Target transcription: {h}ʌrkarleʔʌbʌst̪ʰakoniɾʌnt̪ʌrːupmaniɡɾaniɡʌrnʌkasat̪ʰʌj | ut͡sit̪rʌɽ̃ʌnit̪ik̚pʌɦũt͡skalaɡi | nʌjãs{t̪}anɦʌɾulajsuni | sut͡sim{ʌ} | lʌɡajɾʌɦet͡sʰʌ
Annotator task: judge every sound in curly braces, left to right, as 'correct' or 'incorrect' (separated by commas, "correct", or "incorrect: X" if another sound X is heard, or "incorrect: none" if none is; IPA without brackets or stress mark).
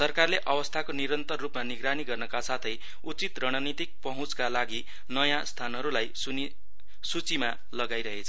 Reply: incorrect: s, incorrect: t̪ʰ, incorrect: a